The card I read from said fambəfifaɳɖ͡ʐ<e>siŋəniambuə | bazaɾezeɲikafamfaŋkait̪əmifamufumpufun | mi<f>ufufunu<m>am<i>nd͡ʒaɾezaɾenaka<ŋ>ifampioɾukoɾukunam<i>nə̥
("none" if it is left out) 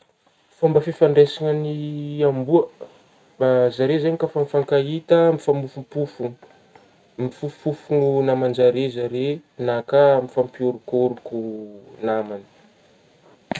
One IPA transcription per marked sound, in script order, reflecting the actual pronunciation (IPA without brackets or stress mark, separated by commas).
e, f, n, a, m, a